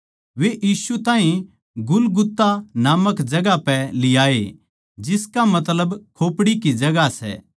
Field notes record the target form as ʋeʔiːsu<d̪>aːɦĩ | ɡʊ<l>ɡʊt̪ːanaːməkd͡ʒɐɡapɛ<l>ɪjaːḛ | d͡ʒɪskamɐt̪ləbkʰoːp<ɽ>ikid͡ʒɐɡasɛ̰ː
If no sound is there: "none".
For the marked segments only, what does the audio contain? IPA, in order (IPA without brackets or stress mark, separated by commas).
t̪, l, l, ɽ